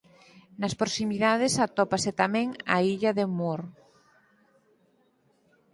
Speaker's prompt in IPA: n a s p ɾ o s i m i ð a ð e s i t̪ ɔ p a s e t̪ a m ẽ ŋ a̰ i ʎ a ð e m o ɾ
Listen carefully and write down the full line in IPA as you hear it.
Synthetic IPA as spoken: n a s p ɾ o s i m i ð a ð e s a t̪ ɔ p a s e t̪ a m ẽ ŋ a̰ i ʎ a ð e m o ɾ